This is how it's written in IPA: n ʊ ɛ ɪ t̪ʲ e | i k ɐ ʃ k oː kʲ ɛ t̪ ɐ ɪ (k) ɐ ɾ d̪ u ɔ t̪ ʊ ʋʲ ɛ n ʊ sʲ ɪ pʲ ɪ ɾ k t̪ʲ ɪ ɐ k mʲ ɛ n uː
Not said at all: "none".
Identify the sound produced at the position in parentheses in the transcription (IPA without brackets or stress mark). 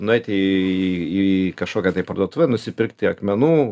p